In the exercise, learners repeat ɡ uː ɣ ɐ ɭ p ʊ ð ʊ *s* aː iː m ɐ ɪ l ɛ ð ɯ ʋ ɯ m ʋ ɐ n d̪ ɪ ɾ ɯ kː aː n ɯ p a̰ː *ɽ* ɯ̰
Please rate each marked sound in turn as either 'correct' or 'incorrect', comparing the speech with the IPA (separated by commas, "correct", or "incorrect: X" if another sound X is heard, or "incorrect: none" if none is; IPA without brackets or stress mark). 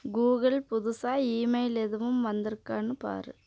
correct, incorrect: ɾ